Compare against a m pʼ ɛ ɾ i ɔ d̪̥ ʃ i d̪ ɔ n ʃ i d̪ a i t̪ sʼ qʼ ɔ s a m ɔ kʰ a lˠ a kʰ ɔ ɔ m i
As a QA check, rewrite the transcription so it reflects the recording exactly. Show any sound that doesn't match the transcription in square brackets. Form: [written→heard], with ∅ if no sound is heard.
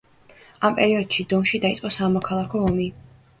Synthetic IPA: a m pʼ ɛ ɾ i ɔ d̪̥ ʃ i d̪ ɔ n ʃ i d̪ a i t̪ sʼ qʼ ɔ s a m ɔ kʰ a lˠ a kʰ ɔ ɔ m i